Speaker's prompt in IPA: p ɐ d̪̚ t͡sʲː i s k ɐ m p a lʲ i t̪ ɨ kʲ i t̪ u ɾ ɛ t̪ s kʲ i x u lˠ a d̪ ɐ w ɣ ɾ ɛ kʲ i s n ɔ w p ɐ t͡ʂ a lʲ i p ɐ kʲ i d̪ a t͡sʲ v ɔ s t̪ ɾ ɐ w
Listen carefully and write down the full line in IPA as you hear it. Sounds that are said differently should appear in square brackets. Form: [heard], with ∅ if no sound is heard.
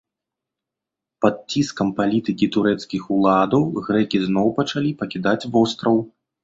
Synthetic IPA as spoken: p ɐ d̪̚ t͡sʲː i s k ɐ m p a lʲ i t̪ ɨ kʲ i t̪ u ɾ ɛ t̪ s kʲ i x u lˠ a d̪ ɐ w ɣ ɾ ɛ kʲ i [z] n ɔ w p ɐ t͡ʂ a lʲ i p ɐ kʲ i d̪ a t͡sʲ v ɔ s t̪ ɾ ɐ w